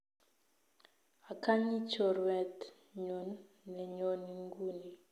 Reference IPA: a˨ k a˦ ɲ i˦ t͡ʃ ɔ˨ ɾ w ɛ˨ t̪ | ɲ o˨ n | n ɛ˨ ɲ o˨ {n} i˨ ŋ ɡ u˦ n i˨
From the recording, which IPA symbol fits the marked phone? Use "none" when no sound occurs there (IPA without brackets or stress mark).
n